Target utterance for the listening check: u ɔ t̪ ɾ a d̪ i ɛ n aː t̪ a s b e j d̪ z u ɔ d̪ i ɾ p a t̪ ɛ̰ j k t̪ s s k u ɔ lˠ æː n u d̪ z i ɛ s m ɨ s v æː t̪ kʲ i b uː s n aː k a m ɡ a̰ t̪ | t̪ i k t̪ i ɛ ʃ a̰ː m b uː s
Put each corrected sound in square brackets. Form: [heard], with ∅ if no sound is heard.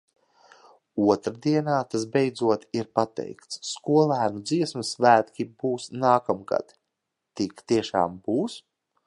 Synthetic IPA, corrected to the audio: u ɔ t̪ ɾ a d̪ i ɛ n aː t̪ a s b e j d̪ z u ɔ [t̪] i ɾ p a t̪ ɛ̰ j k t̪ s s k u ɔ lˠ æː n u d̪ z i ɛ s m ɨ s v æː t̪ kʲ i b uː s n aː k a m ɡ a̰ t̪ | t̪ i k t̪ i ɛ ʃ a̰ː m b uː s